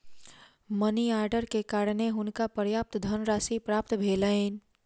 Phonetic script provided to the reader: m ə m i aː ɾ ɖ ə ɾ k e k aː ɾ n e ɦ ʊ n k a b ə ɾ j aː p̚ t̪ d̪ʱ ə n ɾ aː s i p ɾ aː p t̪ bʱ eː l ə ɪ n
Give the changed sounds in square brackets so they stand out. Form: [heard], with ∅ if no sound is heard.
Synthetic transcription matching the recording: m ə [n] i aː ɾ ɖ ə ɾ k e k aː ɾ n e ɦ ʊ n k a [p] ə ɾ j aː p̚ t̪ d̪ʱ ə n ɾ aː s i p ɾ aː p t̪ bʱ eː l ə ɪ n